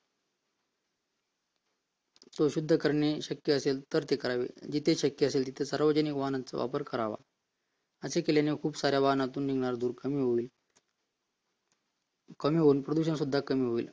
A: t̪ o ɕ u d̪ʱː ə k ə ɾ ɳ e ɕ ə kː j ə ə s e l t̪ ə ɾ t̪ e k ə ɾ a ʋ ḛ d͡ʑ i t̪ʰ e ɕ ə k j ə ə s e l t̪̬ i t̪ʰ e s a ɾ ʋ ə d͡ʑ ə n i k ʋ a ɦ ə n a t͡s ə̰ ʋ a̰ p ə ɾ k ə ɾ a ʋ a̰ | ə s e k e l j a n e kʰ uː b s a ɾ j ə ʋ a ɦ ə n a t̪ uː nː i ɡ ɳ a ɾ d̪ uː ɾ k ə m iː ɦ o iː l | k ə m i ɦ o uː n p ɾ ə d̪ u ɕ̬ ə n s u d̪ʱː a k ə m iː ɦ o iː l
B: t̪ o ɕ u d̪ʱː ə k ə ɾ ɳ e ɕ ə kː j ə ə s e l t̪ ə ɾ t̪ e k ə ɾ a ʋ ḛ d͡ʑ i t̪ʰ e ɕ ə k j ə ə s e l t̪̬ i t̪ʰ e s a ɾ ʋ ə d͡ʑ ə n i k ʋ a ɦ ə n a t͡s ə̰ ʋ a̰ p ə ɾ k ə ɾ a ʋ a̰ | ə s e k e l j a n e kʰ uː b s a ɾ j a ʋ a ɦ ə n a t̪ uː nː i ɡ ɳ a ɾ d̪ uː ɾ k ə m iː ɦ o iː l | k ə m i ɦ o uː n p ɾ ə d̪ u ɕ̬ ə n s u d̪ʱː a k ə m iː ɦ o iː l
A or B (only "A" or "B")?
B